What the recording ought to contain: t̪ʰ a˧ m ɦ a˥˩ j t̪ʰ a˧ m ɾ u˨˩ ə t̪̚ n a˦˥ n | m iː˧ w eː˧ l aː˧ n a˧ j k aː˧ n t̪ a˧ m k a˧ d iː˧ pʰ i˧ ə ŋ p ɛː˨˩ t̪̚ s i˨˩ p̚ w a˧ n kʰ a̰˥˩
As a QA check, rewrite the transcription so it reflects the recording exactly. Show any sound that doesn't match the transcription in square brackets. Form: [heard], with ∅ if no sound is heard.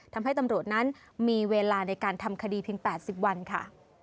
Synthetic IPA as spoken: t̪ʰ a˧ m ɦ a˥˩ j [t̪] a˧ m ɾ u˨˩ ə t̪̚ n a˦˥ n | m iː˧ w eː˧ l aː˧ n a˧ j k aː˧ n [t̪ʰ] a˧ m [kʰ] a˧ d iː˧ pʰ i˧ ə ŋ p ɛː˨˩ t̪̚ s i˨˩ p̚ w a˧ n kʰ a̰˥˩